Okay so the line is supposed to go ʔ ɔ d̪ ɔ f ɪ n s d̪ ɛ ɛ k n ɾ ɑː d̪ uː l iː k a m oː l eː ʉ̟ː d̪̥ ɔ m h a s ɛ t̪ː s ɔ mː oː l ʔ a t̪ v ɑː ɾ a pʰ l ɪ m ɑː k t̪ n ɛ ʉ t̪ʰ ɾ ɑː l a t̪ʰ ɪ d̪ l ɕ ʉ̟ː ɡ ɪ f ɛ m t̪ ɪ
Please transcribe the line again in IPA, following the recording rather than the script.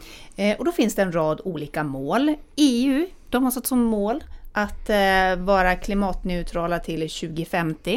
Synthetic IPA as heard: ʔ ɔ d̪ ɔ f ɪ n s d̪ ɛ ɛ n ɾ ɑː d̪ uː l iː k a m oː l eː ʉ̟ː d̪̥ ɔ m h a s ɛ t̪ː s ɔ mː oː l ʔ a t̪ v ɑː ɾ a kʰ l ɪ m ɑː t̪ n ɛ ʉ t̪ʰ ɾ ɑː l a t̪ʰ ɪ l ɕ ʉ̟ː ɡ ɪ f ɛ m t̪ ɪ